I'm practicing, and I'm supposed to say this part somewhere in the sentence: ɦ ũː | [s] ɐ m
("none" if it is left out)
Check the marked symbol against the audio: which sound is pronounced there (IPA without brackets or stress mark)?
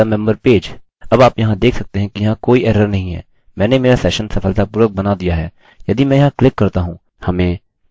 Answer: h